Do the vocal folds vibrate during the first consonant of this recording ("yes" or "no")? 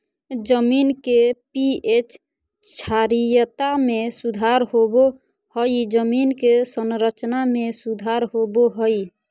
yes